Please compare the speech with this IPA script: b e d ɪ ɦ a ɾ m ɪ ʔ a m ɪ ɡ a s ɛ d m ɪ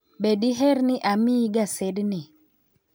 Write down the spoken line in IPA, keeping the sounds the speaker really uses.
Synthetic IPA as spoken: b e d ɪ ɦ ɛ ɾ n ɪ ʔ a m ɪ ɡ a s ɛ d n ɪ